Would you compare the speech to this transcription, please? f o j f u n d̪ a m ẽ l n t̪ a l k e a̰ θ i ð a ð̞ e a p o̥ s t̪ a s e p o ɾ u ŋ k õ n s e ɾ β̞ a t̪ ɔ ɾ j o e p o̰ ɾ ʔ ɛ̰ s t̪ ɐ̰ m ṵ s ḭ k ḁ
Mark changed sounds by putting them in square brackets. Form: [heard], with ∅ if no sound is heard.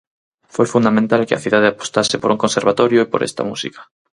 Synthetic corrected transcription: f o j f u n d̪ a m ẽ [∅] n t̪ a l k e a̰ θ i ð a ð̞ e a p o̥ s t̪ a s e p o ɾ u ŋ k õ n s e ɾ β̞ a t̪ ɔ ɾ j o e p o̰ ɾ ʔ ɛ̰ s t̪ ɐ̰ m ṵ s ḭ k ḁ